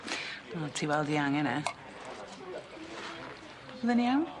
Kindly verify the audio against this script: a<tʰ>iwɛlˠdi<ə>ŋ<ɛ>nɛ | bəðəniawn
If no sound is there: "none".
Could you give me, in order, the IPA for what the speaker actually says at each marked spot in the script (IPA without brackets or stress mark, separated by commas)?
tʰ, a, ɛ